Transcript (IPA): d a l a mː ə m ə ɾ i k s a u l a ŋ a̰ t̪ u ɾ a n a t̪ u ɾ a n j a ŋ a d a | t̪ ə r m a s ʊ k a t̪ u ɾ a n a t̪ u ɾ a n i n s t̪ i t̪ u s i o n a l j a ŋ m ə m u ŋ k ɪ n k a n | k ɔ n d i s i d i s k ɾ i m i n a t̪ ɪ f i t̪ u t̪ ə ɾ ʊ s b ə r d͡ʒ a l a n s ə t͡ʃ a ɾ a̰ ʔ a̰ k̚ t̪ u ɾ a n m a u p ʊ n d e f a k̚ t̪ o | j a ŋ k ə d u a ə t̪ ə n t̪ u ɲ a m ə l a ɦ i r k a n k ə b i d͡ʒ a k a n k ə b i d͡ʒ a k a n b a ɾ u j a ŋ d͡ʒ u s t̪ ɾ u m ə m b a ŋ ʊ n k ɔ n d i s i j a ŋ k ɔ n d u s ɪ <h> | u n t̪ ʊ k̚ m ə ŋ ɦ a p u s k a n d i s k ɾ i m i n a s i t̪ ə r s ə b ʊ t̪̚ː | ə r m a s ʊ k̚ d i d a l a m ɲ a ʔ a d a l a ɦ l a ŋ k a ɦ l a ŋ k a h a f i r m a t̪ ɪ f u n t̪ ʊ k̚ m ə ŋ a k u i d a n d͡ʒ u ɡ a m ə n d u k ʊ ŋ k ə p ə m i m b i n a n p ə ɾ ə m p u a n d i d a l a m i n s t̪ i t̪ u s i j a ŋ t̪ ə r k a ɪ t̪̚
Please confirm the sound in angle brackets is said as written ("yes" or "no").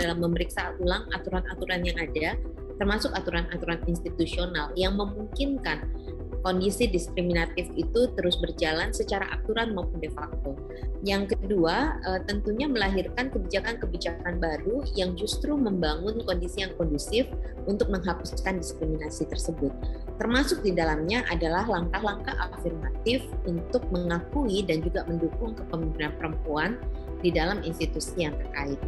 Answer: no